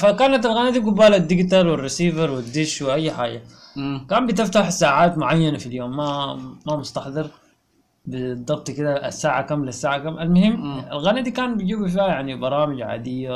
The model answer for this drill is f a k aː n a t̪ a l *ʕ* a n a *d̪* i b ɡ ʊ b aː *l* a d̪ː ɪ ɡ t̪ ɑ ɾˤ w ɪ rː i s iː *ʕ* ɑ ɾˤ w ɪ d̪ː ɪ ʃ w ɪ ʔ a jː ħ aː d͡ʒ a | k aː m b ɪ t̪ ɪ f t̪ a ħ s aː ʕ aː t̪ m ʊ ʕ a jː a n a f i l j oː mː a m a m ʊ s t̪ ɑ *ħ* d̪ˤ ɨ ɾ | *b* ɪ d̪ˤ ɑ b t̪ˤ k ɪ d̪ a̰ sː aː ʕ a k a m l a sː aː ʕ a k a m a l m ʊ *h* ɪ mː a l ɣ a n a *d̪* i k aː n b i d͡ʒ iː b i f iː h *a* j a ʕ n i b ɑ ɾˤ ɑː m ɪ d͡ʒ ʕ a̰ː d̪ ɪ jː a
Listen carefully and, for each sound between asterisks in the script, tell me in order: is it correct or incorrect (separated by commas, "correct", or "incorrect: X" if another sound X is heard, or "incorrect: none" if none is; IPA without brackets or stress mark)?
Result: incorrect: ɣ, correct, correct, incorrect: v, correct, correct, correct, correct, correct